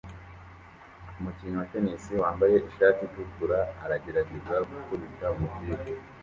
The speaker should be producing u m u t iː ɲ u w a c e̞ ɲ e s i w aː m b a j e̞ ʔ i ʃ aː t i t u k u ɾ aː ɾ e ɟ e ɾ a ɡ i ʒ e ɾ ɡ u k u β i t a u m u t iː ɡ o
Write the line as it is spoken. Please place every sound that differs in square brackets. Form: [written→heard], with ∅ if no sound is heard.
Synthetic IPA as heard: u m u [t→c] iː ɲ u w a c e̞ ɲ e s i w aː m b a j e̞ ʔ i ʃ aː t i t u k u ɾ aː ɾ [e→a] ɟ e ɾ a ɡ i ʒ [e→a] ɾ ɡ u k u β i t a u m u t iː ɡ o